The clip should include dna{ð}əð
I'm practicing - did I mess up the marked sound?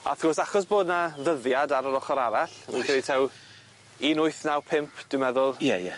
no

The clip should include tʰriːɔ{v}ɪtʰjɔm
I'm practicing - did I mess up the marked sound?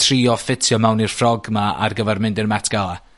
yes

